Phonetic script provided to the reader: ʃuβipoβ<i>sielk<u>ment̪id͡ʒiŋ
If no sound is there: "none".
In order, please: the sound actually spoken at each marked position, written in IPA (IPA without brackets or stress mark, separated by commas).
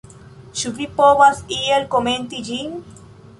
a, o